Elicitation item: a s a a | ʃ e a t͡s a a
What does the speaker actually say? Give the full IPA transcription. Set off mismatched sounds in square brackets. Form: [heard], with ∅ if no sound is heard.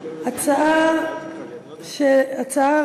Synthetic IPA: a [t͡s] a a | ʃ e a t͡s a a